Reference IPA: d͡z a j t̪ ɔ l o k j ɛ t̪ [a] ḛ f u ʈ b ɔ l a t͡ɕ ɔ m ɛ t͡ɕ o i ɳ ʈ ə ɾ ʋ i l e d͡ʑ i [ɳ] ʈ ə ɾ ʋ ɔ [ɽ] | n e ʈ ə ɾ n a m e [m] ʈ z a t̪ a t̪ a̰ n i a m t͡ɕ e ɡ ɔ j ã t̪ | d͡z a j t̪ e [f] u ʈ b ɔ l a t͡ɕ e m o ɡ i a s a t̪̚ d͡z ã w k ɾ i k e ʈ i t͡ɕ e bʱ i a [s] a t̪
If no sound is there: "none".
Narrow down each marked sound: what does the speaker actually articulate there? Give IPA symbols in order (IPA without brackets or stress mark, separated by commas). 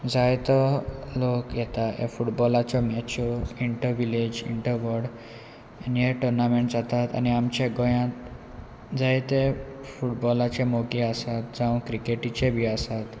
a, ɳ, ɽ, ɳ, f, s